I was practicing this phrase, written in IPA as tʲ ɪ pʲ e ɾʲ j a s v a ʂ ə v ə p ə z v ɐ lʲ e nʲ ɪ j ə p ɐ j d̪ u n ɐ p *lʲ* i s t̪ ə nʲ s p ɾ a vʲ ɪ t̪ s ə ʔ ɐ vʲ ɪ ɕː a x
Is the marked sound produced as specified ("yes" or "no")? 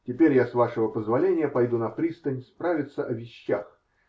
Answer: no